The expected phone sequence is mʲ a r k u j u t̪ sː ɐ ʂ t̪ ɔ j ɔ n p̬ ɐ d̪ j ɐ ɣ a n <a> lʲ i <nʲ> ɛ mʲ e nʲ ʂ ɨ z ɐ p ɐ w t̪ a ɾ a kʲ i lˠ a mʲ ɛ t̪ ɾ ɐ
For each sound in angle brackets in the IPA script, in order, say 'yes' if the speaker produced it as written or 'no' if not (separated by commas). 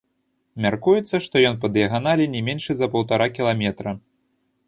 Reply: yes, yes